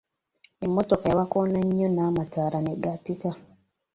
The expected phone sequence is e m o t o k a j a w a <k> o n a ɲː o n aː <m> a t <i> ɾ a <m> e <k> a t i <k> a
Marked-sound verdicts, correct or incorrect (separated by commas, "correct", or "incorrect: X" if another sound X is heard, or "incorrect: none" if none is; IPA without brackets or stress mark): correct, correct, incorrect: a, incorrect: n, incorrect: ɡ, correct